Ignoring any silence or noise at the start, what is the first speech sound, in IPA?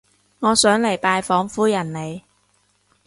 ŋ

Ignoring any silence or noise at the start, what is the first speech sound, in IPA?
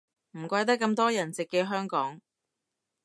m̩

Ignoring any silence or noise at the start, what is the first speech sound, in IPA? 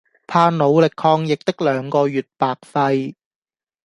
pʰ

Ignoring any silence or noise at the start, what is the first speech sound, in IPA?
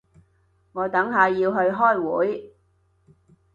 ŋ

